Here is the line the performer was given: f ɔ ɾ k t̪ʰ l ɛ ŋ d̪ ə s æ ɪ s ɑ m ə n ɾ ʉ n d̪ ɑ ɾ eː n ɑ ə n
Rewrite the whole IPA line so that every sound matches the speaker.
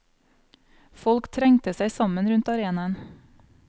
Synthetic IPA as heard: f ɔ l k t̪ʰ ɾ ɛ ŋ t̪ ə s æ ɪ s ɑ m ə n ɾ ʉ n t̪ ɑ ɾ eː n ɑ ə n